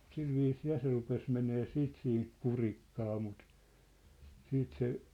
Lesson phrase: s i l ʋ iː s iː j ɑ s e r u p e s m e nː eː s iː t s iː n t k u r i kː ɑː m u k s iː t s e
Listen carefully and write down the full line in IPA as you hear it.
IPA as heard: s i l ʋ iː s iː j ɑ s e r u p e s m e n eː s iː t s iː n t k u r i kː ɑː m u t s iː t s e

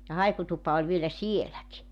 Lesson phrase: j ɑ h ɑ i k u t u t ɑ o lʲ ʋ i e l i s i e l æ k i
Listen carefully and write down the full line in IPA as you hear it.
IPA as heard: j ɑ h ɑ i k u t u p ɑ o lʲ ʋ i e l æ s i e l æ k i

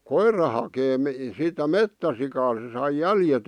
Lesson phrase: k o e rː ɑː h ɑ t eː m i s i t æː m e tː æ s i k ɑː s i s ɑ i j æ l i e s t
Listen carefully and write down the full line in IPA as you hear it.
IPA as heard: k o i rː ɑ h ɑ k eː m i s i t æ m e tː æ s i k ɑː s e s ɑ i j æ l j e t

